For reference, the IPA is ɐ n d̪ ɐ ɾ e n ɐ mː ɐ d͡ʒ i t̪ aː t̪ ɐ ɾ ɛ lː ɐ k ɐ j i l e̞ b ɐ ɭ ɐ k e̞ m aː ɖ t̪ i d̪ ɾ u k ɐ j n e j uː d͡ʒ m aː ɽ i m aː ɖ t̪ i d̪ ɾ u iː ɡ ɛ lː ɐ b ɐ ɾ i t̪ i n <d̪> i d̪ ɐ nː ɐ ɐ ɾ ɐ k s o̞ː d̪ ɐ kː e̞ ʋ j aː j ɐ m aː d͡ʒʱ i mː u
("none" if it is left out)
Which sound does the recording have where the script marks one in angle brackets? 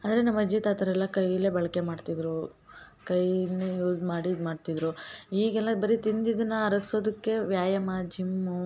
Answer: d̪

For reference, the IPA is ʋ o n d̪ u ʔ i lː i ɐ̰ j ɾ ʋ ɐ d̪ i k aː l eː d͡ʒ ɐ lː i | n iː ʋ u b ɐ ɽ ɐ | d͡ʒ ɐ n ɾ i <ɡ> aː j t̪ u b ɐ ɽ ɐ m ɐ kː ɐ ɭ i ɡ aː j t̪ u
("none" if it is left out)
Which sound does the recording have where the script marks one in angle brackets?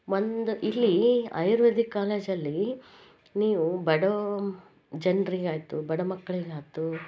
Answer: ɡ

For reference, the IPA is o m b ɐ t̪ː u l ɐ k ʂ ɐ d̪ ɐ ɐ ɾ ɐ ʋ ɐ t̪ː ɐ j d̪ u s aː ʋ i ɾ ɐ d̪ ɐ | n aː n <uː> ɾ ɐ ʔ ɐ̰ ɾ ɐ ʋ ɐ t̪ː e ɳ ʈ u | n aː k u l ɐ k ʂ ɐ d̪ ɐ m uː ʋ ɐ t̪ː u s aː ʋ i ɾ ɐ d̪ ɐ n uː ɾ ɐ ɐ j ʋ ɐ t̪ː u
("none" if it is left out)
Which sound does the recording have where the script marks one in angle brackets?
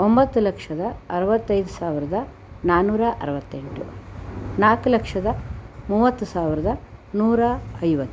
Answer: uː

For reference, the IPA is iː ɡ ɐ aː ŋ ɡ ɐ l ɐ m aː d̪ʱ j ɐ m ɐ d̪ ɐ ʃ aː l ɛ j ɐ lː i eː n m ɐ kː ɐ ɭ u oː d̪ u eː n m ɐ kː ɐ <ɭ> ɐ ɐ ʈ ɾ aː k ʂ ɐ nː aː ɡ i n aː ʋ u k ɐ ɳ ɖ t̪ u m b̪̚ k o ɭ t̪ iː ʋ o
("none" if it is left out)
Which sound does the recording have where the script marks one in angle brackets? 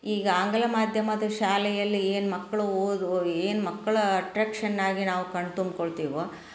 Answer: ɭ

